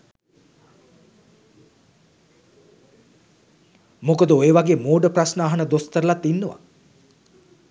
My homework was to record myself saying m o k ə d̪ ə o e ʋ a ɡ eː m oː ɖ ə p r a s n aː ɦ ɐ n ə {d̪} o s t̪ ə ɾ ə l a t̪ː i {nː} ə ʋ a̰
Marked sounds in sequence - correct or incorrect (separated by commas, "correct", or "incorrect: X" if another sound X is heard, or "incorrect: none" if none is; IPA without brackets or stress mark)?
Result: correct, correct